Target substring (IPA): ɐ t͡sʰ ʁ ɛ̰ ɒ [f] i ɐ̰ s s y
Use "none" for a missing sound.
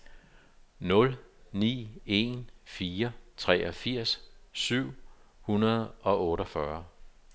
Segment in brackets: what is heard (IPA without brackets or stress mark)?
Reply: f